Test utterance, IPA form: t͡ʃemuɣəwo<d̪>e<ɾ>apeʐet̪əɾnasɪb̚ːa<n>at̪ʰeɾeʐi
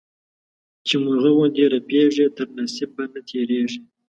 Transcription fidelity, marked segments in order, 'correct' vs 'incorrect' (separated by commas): correct, correct, correct